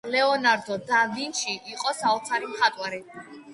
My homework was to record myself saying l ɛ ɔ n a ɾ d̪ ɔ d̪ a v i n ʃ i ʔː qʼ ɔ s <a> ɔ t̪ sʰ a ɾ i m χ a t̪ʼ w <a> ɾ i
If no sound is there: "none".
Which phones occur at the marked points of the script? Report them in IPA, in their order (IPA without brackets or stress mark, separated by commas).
a, a